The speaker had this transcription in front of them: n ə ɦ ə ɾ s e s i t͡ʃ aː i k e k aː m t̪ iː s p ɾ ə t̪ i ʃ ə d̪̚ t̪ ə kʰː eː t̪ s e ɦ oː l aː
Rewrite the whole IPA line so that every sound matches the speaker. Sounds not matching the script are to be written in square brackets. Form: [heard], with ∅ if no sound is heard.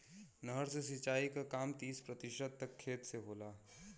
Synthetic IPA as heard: n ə ɦ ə ɾ s e s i t͡ʃ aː i k [a] k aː m t̪ iː s p ɾ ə t̪ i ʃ ə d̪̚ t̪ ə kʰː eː t̪ s e ɦ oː l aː